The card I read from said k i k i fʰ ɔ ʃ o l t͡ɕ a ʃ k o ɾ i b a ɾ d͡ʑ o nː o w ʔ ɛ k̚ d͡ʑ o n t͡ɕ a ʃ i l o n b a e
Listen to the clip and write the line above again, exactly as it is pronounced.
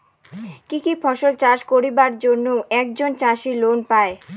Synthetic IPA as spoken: k i k i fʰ ɔ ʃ o l t͡ɕ a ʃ k o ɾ i b a ɾ d͡ʑ o nː o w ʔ ɛ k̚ d͡ʑ o n t͡ɕ a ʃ i l o n p a e